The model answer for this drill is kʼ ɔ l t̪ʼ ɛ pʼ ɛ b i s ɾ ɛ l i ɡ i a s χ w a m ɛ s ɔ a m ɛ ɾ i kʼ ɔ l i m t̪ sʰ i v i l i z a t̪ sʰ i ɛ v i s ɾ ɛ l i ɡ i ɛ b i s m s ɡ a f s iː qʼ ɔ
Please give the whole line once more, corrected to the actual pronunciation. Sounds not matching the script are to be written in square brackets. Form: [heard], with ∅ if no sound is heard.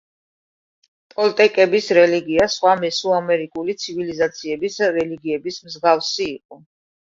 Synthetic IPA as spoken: [pʼ] ɔ l t̪ʼ ɛ [kʼ] ɛ b i s ɾ ɛ l i ɡ i a s χ w a m ɛ s [u] a m ɛ ɾ i kʼ [u] l i [∅] t̪ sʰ i v i l i z a t̪ sʰ i ɛ [b] i s ɾ ɛ l i ɡ i ɛ b i s m [z] ɡ a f s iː qʼ ɔ